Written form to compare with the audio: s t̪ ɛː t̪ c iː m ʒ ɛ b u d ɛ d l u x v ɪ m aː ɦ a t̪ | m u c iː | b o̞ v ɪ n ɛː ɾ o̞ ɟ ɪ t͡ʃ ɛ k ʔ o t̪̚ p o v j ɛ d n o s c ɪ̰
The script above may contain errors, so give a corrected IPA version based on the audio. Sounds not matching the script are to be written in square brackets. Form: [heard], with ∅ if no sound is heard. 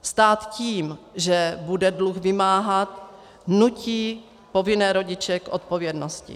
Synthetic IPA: s t̪ [aː] t̪ c iː m ʒ ɛ b u d ɛ d l u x v ɪ m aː ɦ a t̪ | [n] u c iː | [p] o̞ v ɪ n ɛː ɾ o̞ ɟ ɪ t͡ʃ ɛ k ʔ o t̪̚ p o v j ɛ d n o s c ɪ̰